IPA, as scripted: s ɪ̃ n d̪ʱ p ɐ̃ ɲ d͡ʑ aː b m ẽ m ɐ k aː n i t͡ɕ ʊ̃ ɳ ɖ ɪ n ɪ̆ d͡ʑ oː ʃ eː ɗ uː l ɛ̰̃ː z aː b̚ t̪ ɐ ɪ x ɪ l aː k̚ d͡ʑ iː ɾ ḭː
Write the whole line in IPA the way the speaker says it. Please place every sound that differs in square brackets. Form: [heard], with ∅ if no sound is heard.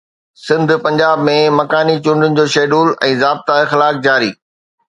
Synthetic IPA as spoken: s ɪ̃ n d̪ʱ p ɐ̃ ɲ d͡ʑ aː b m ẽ m ɐ k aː n i t͡ɕ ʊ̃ ɳ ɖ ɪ n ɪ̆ d͡ʑ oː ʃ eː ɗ uː l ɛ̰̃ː z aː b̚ t̪ [a] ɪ x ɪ l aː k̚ d͡ʑ [aː] ɾ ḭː